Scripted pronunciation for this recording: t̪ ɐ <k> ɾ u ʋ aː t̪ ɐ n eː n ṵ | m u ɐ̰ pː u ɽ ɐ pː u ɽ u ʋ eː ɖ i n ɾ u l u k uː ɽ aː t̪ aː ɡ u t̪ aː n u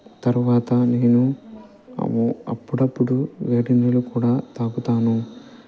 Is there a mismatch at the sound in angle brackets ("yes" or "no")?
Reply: yes